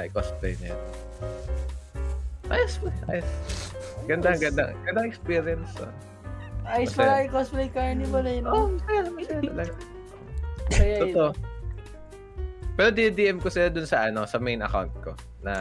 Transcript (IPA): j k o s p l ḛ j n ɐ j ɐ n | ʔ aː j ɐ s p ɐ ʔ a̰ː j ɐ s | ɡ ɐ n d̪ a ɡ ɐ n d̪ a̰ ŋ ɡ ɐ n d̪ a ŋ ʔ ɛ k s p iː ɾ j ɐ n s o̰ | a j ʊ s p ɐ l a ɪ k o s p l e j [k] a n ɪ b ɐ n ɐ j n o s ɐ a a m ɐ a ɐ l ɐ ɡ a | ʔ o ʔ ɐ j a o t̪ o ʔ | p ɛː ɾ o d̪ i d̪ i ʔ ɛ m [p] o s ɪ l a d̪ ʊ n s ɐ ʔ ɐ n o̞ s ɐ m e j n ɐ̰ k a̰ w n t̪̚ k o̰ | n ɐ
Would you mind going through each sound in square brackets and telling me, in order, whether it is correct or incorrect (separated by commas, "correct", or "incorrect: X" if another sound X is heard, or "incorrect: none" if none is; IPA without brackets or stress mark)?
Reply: correct, incorrect: k